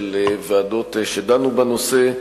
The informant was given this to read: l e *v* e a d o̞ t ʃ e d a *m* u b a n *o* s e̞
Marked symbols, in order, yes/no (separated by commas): yes, no, yes